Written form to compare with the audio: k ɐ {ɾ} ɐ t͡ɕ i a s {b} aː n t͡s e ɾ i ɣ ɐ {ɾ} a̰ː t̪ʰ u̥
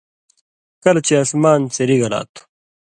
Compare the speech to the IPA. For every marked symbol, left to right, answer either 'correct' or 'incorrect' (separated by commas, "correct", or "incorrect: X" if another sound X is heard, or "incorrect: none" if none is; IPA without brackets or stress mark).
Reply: incorrect: l, incorrect: m, incorrect: l